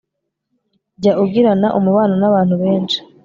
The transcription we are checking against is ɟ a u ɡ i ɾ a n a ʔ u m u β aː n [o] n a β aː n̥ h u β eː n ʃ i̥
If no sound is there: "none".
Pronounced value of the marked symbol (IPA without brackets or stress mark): o